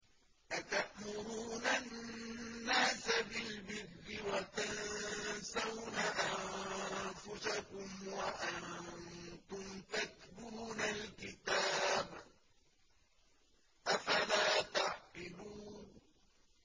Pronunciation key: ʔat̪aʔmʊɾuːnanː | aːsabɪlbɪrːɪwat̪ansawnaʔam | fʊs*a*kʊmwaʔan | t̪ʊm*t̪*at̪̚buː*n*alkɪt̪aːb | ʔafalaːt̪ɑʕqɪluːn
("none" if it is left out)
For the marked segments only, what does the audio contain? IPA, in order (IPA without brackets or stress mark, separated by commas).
a, t̪, n